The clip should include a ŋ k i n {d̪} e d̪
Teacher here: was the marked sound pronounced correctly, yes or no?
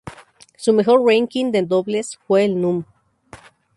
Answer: yes